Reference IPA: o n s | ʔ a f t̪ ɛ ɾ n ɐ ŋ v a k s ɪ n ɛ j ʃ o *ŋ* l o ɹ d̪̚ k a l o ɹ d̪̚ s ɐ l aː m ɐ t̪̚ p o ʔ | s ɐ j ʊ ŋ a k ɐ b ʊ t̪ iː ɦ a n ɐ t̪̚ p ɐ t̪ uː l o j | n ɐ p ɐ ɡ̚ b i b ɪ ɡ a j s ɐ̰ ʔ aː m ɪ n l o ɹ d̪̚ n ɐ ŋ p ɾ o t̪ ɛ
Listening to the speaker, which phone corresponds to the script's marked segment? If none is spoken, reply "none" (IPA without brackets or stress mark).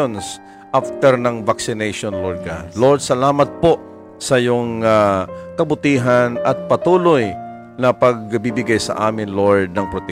n